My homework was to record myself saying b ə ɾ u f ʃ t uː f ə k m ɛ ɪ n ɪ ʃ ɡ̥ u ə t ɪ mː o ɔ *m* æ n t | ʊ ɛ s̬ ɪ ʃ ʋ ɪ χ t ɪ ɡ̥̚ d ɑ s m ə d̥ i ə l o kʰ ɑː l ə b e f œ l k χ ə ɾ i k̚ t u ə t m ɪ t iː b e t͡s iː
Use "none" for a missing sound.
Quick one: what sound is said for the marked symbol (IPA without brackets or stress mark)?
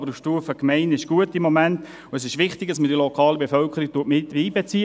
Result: m